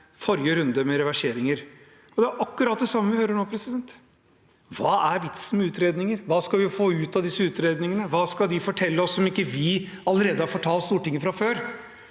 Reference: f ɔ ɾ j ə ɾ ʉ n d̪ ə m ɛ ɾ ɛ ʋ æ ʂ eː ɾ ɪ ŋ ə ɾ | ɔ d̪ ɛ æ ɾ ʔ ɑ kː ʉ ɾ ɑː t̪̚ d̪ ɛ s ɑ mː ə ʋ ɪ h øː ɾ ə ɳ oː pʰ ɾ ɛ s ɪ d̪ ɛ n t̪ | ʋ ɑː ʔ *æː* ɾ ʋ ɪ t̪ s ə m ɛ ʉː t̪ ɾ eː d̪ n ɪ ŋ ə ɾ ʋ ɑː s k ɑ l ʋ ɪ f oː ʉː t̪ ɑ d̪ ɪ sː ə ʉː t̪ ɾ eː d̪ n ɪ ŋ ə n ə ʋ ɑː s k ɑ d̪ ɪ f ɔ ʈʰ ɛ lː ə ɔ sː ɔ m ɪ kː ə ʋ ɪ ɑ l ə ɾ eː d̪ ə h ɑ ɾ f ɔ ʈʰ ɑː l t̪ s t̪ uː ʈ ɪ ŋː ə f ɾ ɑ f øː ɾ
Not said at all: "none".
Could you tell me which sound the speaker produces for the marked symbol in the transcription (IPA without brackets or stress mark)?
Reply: æ